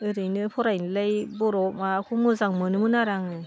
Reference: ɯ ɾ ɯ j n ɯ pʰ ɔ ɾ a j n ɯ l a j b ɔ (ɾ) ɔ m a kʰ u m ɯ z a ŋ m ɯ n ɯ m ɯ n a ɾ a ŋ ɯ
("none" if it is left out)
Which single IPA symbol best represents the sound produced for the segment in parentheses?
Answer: ɾ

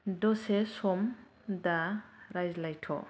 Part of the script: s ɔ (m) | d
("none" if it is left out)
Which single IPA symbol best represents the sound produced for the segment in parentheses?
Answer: m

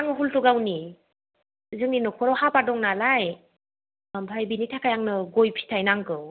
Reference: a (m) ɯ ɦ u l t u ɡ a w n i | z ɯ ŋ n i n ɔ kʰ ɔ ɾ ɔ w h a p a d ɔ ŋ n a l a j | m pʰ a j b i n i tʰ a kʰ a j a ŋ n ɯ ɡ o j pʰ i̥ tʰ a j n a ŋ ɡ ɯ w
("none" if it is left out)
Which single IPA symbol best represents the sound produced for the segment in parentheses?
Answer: ŋ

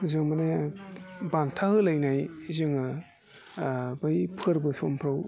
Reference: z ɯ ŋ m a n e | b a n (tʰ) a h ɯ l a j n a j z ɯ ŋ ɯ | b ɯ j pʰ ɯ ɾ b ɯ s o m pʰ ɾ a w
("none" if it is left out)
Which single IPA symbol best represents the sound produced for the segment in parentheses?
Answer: tʰ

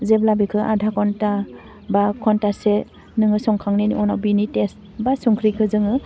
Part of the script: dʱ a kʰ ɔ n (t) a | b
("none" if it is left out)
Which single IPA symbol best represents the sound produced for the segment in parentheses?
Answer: t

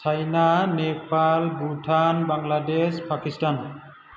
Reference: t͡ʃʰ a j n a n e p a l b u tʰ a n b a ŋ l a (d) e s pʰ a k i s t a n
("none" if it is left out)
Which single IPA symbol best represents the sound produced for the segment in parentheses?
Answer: d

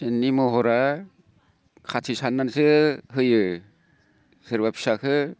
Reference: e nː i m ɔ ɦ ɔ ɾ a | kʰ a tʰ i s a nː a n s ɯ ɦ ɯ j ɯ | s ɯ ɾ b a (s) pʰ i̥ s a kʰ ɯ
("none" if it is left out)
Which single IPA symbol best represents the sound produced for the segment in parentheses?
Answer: none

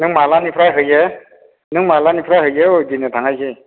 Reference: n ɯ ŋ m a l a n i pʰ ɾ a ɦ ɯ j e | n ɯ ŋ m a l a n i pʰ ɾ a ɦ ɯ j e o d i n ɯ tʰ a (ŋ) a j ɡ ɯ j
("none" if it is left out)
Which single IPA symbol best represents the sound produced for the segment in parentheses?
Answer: ŋ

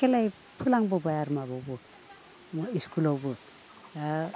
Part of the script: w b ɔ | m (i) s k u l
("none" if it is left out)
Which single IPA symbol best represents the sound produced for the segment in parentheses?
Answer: i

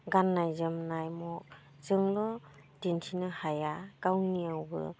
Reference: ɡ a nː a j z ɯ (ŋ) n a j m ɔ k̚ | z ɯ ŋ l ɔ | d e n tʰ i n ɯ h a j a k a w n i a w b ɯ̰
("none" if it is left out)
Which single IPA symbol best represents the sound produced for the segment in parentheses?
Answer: m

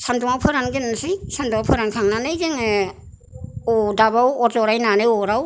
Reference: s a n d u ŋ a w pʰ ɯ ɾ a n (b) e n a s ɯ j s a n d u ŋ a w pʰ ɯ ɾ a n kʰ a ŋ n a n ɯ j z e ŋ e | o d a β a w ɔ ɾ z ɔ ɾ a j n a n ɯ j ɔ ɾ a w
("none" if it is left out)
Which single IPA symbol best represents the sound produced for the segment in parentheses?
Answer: ɡ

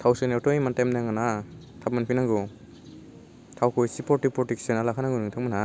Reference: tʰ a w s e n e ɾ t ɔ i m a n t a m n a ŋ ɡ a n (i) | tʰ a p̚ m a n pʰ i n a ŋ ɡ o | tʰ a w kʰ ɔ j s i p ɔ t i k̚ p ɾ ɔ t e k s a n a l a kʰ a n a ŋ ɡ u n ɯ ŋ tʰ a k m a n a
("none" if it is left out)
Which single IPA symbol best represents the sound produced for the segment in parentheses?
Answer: a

